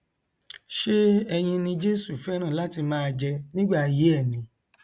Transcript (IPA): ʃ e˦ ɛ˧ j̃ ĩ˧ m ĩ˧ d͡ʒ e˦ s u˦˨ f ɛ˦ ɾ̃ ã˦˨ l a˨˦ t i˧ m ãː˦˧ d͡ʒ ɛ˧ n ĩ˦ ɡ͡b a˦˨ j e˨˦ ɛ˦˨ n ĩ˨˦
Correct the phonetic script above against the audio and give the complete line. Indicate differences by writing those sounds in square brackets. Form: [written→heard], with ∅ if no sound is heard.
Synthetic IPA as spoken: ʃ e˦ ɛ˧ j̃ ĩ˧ [m→n] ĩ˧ d͡ʒ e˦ s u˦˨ f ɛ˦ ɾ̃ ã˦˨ l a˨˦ t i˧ m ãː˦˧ d͡ʒ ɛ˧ n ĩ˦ ɡ͡b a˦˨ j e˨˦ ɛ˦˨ n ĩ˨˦